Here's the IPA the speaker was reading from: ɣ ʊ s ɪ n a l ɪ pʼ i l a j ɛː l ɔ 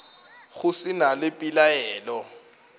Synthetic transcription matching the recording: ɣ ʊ s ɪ n a l ɪ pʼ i l a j ɛː l ɔ